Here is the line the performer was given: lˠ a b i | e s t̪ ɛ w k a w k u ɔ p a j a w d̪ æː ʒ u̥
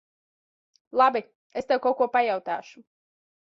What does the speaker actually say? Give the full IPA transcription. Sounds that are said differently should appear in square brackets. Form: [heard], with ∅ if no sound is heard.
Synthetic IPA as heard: lˠ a b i | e s t̪ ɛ w k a w k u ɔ p a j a w [t̪] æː [ʃ] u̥

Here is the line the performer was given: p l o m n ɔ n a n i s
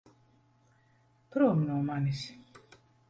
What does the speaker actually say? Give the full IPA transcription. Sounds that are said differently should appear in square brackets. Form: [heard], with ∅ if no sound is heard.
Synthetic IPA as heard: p [ɾ] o m n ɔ [m] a n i s

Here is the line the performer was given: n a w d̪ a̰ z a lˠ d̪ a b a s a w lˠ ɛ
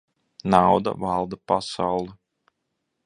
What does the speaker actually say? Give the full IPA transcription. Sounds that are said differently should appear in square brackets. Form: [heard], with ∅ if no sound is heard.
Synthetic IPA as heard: n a w d̪ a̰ [v] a lˠ d̪ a [p] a s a w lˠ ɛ

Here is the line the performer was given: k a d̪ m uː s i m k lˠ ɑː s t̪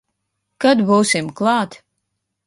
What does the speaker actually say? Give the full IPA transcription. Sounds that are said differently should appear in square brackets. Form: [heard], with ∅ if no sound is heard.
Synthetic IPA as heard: k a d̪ [b] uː s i m k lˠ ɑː [∅] t̪

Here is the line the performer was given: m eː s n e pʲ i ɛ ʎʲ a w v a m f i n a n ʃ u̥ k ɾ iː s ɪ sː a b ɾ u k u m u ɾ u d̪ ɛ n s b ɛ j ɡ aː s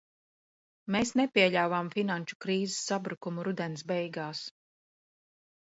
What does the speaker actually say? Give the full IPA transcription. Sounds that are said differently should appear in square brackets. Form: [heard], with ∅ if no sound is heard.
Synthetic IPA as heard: m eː s n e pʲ i ɛ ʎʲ a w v a m f i n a n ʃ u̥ k ɾ iː [z] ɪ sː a b ɾ u k u m u ɾ u d̪ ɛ n s b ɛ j ɡ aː s

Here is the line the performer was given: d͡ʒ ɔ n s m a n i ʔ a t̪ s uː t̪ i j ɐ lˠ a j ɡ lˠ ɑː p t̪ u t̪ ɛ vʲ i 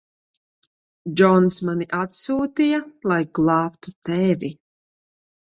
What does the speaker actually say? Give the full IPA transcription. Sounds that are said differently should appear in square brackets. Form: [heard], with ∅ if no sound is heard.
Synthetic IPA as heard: d͡ʒ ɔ n s m a n i ʔ a t̪ s uː t̪ i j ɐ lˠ a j ɡ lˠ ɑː p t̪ u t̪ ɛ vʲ i

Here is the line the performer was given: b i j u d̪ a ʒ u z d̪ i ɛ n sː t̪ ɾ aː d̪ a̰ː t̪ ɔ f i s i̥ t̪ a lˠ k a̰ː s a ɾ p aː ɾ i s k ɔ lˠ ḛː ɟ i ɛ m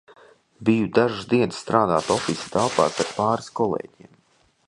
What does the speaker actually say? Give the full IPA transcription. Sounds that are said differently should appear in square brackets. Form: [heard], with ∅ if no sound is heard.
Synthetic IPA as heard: b i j u d̪ a ʒ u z d̪ i ɛ n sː t̪ ɾ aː d̪ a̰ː t̪ ɔ f i s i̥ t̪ a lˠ [p] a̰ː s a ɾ p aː ɾ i s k ɔ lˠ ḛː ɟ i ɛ m

